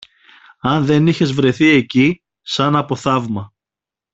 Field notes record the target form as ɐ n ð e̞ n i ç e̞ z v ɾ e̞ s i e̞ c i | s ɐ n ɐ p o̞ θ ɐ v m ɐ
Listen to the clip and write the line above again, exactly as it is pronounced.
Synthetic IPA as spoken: ɐ n ð e̞ n i ç e̞ z v ɾ e̞ θ i e̞ c i | s ɐ n ɐ p o̞ θ ɐ v m ɐ